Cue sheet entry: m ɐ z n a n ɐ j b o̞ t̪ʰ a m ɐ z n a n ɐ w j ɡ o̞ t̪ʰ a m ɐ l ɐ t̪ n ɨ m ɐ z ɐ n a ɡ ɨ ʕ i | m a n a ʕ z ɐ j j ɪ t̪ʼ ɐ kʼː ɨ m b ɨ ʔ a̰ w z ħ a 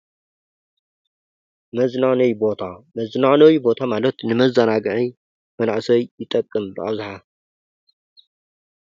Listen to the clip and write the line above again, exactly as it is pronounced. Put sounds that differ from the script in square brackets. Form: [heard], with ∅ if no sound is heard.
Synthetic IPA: m ɐ z n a n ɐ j b o̞ t̪ʰ a m ɐ z n a n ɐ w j [b] o̞ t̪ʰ a m [a] l ɐ t̪ n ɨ m ɐ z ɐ n a ɡ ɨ ʕ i | m [ɐ] n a ʕ [s] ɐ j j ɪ t̪ʼ ɐ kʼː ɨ m b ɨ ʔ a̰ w z ħ a

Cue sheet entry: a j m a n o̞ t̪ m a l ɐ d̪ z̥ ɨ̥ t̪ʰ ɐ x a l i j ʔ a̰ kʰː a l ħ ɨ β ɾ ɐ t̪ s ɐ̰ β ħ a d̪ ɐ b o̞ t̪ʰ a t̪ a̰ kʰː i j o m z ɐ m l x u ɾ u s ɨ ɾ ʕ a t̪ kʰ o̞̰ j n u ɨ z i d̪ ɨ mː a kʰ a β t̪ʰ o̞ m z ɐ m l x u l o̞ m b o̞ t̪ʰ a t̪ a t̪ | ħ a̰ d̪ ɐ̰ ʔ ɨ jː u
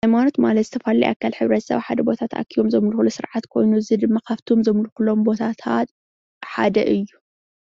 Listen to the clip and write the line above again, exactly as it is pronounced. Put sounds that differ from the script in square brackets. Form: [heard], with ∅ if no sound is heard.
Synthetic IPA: a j m a n o̞ t̪ m a l ɐ [t̪] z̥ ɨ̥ t̪ʰ ɐ [f] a l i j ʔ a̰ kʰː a l ħ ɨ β ɾ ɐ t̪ s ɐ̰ β ħ a d̪ ɐ b o̞ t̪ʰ a t̪ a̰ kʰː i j o m z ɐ m l x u [l] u s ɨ ɾ ʕ a t̪ kʰ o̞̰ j n u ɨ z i d̪ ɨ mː a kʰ a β t̪ʰ o̞ m z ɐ m l x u l o̞ m b o̞ t̪ʰ a [t̪ʰ] a t̪ | ħ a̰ d̪ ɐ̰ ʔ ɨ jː u

